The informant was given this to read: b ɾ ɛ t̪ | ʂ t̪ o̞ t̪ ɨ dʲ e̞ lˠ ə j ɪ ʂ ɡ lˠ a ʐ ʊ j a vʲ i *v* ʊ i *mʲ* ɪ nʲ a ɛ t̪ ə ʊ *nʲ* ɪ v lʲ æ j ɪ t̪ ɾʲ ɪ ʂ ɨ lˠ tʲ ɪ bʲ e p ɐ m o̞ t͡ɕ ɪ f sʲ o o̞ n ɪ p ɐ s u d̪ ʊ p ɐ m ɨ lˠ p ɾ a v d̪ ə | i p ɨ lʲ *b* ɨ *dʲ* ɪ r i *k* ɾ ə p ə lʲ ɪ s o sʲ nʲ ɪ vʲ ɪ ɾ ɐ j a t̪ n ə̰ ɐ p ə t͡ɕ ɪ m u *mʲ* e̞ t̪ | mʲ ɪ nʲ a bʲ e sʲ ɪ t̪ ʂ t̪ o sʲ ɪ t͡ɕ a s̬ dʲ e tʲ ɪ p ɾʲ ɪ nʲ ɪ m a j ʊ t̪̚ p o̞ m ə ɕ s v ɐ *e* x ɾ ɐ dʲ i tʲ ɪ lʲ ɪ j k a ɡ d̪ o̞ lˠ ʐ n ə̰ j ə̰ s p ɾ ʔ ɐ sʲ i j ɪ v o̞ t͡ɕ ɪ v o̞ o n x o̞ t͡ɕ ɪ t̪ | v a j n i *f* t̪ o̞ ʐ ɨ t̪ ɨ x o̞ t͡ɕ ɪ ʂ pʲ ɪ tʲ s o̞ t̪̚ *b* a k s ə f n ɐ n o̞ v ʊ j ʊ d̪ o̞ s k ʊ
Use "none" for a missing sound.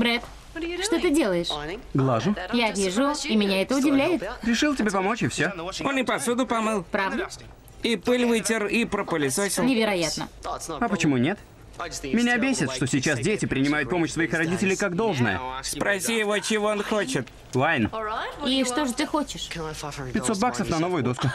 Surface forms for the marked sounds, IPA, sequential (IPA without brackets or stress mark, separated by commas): ʐ, mʲ, dʲ, v, tʲ, p, nʲ, i, ʂ, b